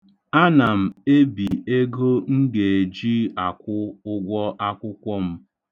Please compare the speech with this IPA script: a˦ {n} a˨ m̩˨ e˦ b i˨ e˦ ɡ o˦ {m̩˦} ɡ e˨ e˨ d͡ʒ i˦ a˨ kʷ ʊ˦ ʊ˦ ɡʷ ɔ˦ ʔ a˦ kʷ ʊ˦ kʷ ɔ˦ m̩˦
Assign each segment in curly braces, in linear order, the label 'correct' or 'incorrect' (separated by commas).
correct, incorrect